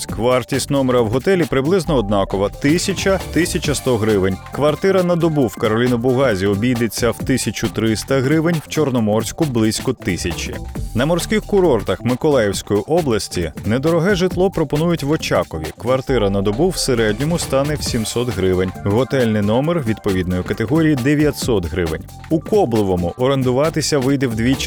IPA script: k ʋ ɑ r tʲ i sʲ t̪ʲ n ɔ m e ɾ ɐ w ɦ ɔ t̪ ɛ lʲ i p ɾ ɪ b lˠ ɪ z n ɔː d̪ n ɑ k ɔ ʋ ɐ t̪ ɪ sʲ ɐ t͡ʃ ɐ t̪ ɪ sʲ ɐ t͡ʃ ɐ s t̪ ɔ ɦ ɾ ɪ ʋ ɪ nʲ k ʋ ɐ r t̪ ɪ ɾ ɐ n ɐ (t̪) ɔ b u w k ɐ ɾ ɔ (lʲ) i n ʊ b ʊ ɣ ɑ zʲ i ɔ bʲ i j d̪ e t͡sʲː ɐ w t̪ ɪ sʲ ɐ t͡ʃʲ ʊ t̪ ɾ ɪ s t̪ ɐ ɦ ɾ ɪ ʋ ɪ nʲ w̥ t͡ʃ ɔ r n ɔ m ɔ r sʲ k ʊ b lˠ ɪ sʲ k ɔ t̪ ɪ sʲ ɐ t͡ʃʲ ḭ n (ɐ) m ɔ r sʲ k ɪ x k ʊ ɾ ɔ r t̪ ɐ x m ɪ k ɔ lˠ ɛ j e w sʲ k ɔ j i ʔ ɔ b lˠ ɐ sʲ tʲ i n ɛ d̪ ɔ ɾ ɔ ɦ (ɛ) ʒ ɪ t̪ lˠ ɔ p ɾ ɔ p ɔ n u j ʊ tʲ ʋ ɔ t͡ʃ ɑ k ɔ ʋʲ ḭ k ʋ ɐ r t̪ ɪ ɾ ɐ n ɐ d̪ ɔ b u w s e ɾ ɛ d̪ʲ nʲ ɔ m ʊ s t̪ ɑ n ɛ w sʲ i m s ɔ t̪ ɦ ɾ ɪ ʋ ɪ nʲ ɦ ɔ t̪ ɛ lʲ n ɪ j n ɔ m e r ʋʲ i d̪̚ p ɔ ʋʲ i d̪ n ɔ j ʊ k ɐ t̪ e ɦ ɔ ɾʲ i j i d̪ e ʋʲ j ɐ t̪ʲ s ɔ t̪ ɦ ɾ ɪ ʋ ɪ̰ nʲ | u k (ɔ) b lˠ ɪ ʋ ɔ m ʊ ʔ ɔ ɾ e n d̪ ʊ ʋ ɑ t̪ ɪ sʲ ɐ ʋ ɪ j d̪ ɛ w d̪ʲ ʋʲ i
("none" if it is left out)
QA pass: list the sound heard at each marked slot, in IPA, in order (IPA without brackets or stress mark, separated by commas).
d̪, lʲ, ɐ, ɛ, ɔ